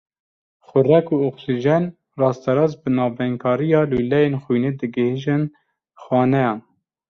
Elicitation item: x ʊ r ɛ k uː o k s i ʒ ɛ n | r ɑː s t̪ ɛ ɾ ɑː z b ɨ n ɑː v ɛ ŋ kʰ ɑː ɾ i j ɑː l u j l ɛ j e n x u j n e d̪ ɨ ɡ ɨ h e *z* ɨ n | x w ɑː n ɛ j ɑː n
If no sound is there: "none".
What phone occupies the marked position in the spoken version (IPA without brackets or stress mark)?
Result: ʒ